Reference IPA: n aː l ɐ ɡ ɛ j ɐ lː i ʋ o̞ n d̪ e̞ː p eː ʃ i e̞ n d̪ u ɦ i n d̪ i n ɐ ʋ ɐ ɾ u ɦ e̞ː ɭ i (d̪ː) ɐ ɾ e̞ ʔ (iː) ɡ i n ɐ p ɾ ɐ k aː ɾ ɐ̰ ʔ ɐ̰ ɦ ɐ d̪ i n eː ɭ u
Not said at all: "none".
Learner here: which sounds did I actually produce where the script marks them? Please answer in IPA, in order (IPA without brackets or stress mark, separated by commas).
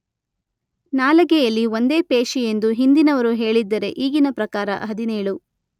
d̪ː, iː